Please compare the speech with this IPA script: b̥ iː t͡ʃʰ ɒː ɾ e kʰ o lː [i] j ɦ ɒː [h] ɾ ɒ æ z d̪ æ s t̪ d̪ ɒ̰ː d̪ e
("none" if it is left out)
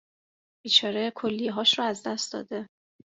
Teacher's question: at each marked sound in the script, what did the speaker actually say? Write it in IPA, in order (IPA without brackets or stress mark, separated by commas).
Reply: i, ʃ